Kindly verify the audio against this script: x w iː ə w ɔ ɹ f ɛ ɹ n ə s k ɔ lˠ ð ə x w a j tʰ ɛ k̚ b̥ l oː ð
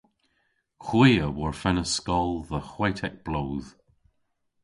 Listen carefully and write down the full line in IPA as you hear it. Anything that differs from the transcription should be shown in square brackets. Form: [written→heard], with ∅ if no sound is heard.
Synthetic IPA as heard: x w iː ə w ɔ ɹ f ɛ [ɹ→∅] n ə s k ɔ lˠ ð ə x w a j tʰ ɛ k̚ b̥ l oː ð